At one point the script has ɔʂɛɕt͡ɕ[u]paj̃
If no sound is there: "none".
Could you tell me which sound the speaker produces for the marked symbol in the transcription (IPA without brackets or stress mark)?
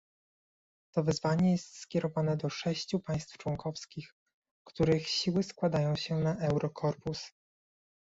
u